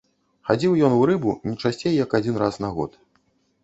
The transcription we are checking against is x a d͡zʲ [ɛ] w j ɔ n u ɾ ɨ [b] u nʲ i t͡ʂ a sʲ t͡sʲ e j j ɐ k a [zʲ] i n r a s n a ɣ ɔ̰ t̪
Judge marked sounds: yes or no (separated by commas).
no, yes, no